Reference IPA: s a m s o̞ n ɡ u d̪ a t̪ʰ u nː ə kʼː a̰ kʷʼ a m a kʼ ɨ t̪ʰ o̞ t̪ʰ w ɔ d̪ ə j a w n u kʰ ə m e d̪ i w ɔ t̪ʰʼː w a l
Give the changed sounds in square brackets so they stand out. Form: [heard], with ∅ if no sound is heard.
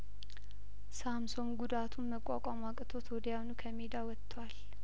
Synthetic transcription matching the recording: s a m s o̞ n ɡ u d̪ a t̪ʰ u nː ə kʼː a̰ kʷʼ a m a kʼ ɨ t̪ʰ o̞ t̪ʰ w ɔ d̪ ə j a w n u kʰ ə m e d̪ [a] w ɔ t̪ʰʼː w a l